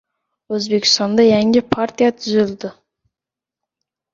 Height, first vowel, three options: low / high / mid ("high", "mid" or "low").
mid